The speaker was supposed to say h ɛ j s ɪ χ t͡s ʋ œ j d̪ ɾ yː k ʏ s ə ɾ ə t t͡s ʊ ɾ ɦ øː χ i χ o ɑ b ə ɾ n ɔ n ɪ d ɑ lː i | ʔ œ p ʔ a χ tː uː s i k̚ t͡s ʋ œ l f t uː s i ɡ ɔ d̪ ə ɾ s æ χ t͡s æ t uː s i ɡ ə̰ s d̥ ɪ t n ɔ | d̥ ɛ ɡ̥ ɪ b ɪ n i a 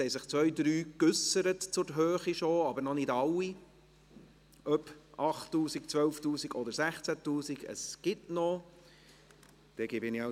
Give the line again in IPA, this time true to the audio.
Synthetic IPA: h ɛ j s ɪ χ t͡s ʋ œ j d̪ ɾ yː k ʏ s ə ɾ ə t t͡s ʊ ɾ ɦ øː χ i ʃ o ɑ b ə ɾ n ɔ n ɪ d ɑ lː i | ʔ œ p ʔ ɑ χ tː uː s i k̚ t͡s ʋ œ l f t uː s i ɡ ɔ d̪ ə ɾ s æ χ t͡s æ t uː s i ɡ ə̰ s ɡ̥ ɪ t n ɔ | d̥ ɛ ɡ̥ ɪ b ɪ n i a

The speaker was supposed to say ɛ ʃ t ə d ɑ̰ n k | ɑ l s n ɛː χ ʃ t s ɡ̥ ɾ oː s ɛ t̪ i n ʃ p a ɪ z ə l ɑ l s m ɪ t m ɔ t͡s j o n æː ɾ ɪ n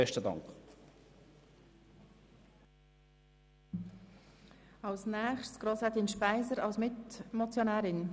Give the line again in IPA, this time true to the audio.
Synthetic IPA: ɛ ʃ t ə d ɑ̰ ŋ k | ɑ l s n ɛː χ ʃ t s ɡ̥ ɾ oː s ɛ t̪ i n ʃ p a ɪ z ə ɾ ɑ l s m ɪ t m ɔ t͡s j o n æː ɾ ɪ n

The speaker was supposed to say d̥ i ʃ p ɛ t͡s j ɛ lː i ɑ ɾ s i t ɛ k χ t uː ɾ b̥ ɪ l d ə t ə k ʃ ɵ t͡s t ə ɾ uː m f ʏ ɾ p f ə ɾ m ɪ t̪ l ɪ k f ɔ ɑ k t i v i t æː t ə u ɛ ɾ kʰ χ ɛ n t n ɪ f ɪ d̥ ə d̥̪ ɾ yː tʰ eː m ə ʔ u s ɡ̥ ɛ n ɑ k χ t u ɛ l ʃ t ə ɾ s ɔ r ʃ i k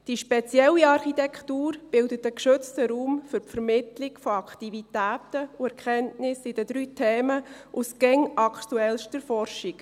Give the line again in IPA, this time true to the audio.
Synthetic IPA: d̥ i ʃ p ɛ t͡s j ɛ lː i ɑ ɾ χ i t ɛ k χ t uː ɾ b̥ ɪ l d ə t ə k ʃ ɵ t͡s t ə ɾ uː m f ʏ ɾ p f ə ɾ m ɪ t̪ l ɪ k f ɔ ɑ k t i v i t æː t ə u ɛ ɾ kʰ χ ɛ n t n ɪ s ɪ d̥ ə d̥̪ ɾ yː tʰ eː m ə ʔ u s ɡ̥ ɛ ŋ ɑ k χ t u ɛ l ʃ t ə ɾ f ɔ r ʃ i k

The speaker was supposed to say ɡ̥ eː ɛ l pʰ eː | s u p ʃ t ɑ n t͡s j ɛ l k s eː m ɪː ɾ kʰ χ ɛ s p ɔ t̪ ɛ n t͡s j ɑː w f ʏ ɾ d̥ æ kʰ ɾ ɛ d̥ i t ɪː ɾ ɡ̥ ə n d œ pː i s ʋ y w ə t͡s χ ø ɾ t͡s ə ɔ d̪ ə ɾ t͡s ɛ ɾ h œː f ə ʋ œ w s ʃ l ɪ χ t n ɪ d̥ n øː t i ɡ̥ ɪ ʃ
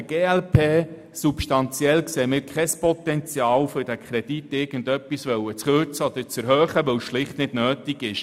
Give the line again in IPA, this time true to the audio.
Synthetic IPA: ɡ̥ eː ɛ l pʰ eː | s u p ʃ t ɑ n t͡s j ɛ l k s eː m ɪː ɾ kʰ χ ɛ s p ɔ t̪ ɛ n t͡s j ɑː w f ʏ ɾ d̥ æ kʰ ɾ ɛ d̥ i t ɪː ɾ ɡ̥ ə n d œ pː i s ʋ œ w ə t͡s χ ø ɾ t͡s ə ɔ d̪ ə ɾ t͡s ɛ ɾ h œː χ ə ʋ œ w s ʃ l ɪ χ t n ɪ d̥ n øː t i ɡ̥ ɪ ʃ

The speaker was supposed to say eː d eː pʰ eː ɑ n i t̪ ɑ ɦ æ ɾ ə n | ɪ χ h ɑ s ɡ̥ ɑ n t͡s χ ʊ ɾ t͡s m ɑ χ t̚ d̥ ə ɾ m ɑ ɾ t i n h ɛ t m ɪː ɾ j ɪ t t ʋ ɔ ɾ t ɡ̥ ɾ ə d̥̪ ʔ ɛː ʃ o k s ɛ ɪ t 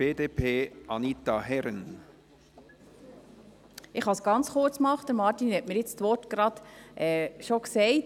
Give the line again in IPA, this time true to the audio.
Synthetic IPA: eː d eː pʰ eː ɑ n i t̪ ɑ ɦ ɛ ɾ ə n | ɪ χ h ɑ s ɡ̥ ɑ n t͡s χ ʊ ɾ t͡s m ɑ χ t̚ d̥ ə ɾ m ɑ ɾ t i n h ɛ t m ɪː ɾ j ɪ t͡s t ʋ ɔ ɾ t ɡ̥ ɾ ɑ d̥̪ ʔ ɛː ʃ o k s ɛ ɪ t

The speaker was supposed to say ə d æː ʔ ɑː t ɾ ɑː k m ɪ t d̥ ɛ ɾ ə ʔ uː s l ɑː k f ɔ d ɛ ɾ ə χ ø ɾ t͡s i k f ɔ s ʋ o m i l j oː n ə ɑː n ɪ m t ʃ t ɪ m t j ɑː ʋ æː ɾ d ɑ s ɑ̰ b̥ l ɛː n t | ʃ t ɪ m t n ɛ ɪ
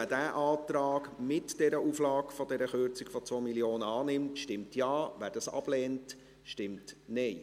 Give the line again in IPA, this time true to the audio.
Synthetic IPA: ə d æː ʔ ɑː t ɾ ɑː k m ɪ t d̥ ɛ ɾ ə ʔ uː f l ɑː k f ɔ d ɛ ɾ ə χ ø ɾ t͡s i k f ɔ t͡s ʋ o m i l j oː n ə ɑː n ɪ m t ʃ t ɪ m t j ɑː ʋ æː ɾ d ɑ s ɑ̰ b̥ l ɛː n t | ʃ t ɪ m t n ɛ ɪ

